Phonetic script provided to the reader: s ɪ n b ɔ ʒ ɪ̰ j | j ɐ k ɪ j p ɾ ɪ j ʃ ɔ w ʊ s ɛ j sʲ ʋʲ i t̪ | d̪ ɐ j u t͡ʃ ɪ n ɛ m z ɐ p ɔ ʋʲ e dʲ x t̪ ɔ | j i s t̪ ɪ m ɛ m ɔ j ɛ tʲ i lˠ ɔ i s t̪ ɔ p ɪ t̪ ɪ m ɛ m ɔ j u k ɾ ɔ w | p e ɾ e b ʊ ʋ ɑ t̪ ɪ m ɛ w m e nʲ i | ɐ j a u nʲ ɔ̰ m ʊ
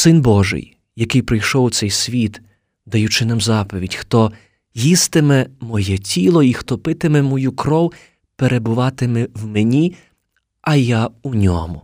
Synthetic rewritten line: s ɪ n b ɔ ʒ ɪ̰ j | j ɐ k ɪ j p ɾ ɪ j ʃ ɔ w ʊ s ɛ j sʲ ʋʲ i t̪ | d̪ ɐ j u t͡ʃ ɪ n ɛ m z ɑ p ɔ ʋʲ i dʲ x t̪ ɔ | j i s t̪ ɪ m ɛ m ɔ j ɛ tʲ i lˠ ɔ i x t̪ ɔ p ɪ t̪ ɪ m ɛ m ɔ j u k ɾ ɔ w | p e ɾ e b ʊ ʋ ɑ t̪ ɪ m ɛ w m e nʲ i | ɐ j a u nʲ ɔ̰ m ʊ